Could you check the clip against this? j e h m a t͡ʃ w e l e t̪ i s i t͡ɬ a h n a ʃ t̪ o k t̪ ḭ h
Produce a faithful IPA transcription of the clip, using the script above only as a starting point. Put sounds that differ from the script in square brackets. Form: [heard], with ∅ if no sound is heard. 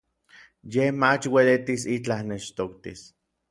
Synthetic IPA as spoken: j e h m a t͡ʃ w e l e t̪ i s i t͡ɬ a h n [e] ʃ t̪ o k t̪ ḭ [s]